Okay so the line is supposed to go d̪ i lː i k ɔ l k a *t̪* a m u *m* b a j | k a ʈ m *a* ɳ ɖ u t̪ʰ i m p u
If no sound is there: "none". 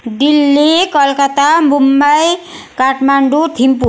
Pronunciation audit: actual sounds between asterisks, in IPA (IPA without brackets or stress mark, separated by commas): t̪, m, a